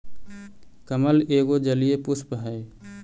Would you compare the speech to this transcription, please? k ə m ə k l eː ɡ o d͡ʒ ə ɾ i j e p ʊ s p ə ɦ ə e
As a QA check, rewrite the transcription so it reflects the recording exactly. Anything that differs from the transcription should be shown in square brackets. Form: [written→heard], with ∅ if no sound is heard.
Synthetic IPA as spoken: k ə m ə [k→∅] l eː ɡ o d͡ʒ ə [ɾ→l] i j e p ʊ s p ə ɦ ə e